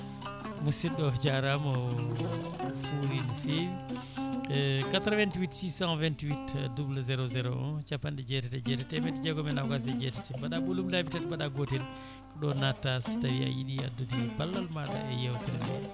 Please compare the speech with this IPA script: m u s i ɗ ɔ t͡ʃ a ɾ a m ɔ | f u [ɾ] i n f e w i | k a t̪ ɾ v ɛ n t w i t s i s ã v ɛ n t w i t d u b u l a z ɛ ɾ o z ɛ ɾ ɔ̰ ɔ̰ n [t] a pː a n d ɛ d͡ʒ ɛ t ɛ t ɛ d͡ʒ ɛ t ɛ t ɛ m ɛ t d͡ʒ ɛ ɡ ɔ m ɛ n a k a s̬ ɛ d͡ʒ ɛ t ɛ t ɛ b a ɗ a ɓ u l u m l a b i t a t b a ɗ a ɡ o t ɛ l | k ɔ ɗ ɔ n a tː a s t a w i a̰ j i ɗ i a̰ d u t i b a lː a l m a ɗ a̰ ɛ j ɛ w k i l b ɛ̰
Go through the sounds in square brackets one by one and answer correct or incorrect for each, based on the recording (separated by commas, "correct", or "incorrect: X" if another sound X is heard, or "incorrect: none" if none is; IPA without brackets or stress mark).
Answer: correct, incorrect: t͡ʃ